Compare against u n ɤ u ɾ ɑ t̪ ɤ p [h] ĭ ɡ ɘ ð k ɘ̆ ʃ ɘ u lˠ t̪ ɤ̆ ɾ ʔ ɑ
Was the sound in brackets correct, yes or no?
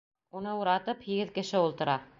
yes